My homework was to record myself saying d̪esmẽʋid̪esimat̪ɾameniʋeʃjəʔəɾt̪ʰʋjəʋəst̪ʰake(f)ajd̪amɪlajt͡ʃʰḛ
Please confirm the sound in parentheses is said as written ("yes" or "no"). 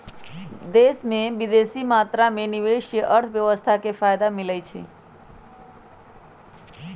yes